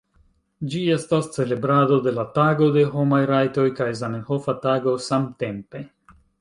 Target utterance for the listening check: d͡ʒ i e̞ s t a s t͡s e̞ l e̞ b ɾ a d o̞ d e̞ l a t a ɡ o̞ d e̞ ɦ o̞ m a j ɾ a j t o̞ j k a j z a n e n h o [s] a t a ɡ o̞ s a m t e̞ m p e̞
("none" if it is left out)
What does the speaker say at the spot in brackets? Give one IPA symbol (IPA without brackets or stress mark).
f